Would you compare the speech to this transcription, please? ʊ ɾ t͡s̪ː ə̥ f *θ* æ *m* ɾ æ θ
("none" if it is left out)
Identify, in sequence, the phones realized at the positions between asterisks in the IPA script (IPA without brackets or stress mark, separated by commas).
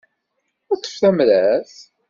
θ, m